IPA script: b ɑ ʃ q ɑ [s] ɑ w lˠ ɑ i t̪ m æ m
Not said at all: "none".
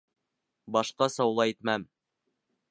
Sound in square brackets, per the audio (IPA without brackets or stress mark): s